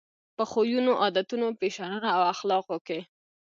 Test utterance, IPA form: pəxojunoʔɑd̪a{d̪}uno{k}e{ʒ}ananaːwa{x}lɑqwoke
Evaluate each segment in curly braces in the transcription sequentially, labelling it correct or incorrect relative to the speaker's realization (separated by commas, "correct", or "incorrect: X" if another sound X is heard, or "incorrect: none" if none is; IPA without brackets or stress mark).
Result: incorrect: t̪, incorrect: p, incorrect: ʃ, correct